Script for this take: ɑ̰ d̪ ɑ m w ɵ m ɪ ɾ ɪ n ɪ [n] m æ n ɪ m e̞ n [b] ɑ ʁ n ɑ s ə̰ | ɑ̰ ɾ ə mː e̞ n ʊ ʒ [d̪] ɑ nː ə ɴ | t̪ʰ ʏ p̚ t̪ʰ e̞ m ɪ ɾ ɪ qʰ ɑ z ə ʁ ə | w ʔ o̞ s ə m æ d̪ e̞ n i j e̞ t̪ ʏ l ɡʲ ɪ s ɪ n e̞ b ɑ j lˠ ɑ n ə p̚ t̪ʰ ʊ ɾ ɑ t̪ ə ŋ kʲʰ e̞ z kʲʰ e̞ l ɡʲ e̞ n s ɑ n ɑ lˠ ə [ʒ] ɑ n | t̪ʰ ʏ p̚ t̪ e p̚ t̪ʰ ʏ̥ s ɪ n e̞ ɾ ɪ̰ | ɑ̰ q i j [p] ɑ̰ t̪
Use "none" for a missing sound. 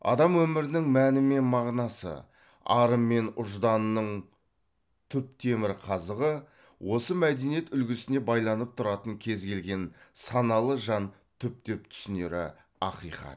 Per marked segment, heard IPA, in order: ŋ, m, d̪, ʒ, q

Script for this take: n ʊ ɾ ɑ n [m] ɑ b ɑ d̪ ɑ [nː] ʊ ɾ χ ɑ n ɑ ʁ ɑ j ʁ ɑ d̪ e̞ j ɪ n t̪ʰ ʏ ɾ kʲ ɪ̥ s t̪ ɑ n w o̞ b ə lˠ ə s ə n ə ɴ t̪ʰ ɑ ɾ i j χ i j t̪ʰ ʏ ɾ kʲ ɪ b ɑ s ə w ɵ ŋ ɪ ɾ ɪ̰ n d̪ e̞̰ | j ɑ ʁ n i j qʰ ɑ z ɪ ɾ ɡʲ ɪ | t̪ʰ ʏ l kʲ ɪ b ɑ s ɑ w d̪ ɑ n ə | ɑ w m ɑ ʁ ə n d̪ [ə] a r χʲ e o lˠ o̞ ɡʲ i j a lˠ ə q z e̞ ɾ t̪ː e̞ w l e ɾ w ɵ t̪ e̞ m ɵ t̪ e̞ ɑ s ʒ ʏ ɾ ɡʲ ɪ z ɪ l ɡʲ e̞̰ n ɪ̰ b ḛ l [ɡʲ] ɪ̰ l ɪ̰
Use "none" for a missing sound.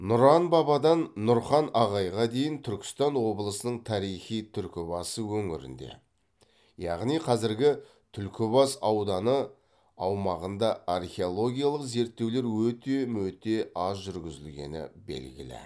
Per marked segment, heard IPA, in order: b, nː, ɑ, ɡʲ

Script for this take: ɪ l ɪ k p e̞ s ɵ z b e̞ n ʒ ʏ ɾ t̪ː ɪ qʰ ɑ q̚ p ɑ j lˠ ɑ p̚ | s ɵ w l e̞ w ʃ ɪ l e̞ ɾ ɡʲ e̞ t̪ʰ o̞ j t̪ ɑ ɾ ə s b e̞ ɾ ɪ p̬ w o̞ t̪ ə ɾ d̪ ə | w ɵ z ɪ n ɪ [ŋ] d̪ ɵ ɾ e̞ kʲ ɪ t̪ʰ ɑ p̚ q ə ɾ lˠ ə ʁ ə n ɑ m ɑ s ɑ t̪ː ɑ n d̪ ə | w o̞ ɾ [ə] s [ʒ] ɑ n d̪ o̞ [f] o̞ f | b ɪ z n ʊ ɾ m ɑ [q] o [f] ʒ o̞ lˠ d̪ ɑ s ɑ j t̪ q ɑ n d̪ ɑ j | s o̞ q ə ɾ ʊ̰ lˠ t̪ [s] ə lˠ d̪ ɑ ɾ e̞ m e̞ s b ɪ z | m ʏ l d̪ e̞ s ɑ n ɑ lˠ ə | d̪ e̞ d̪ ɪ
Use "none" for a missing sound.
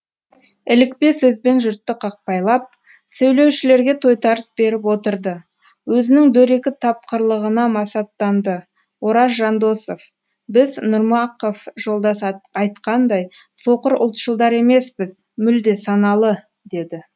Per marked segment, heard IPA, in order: ŋ, ɑ, ʒ, s, q, f, ʃ

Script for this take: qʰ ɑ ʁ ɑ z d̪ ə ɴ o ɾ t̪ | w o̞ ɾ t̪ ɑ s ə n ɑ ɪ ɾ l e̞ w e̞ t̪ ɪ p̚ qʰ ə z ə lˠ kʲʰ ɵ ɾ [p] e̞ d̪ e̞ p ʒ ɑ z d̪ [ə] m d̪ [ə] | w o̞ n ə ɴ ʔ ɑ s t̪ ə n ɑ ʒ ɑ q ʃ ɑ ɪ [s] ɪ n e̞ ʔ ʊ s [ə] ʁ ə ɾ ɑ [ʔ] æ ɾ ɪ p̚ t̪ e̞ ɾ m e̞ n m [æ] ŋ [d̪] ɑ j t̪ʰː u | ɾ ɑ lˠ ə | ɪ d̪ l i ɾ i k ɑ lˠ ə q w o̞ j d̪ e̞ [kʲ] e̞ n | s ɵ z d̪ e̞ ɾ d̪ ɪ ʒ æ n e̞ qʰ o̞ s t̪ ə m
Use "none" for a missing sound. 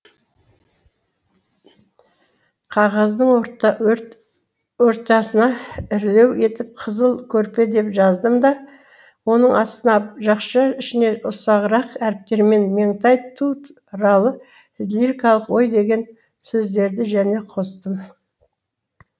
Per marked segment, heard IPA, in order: p, ə, ɑ, ʃ, ɑ, q, e, t̪, ɡʲ

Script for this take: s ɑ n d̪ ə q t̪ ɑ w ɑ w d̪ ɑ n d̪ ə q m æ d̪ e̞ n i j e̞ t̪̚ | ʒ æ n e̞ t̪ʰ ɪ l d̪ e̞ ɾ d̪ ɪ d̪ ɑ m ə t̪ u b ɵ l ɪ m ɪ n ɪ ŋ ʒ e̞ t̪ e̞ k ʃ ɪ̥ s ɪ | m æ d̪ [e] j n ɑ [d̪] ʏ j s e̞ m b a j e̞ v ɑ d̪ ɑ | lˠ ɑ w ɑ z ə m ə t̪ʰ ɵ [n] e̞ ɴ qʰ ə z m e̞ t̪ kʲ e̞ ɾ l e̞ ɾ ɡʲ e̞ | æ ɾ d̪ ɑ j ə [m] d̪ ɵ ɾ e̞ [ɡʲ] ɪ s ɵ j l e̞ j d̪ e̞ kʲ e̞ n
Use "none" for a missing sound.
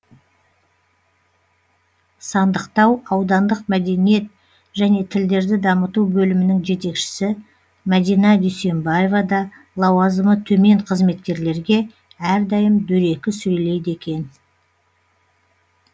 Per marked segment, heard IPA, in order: i, d̪, m, m, kʲ

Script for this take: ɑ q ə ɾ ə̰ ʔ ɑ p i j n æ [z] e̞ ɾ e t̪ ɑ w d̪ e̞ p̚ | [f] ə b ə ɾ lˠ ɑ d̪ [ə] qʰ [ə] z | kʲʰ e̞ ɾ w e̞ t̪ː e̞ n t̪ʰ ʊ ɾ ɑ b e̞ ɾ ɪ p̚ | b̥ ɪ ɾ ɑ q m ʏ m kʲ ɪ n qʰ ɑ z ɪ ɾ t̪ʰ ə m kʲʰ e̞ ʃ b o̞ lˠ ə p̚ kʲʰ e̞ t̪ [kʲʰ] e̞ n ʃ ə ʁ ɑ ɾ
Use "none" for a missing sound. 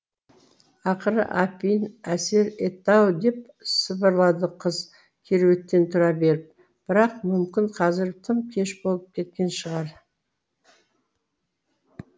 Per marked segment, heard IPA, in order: s, s, ə, ə, kʲ

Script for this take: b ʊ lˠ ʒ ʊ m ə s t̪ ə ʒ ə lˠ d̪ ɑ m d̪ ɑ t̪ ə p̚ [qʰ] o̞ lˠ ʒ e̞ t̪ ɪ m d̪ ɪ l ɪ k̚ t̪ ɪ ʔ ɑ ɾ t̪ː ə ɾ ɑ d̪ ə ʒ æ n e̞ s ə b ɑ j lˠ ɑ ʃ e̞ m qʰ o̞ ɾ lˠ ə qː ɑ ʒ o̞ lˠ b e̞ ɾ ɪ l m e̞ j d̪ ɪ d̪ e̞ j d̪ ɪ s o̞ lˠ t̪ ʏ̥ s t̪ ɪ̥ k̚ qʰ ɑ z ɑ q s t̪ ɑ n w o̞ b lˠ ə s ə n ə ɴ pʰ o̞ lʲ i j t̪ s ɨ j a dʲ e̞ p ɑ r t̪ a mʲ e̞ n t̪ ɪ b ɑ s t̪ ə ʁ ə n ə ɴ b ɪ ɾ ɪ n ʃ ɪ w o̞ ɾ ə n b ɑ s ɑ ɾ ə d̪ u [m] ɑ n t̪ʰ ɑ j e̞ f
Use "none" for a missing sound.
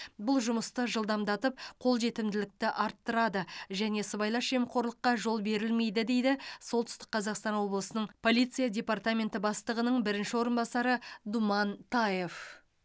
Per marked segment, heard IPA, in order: qʰ, m

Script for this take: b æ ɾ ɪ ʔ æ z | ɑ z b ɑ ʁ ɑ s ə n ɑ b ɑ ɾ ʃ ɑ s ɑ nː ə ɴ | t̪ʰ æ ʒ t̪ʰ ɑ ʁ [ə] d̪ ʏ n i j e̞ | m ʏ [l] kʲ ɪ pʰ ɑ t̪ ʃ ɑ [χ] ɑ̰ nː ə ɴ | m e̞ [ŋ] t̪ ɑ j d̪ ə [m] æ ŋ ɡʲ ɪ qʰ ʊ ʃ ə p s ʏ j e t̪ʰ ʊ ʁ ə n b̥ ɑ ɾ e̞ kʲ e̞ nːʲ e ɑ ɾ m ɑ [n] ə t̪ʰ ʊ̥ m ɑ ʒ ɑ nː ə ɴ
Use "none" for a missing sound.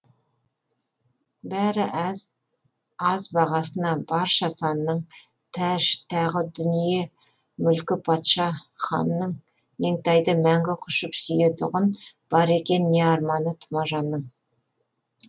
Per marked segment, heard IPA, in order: ə, l, χ, ŋ, m, n

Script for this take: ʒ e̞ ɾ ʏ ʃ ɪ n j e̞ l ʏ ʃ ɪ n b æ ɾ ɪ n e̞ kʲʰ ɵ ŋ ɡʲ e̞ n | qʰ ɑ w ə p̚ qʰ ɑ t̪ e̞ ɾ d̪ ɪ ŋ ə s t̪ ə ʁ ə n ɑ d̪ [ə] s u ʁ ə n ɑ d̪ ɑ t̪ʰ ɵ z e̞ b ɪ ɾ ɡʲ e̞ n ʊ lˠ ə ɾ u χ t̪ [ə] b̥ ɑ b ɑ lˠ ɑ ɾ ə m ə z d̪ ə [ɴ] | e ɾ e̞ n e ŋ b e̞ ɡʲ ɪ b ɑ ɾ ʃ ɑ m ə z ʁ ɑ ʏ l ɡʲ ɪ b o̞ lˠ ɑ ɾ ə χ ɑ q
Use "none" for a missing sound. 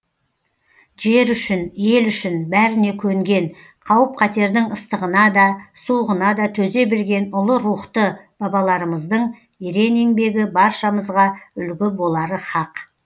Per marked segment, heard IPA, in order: ɑ, ə, ɴ

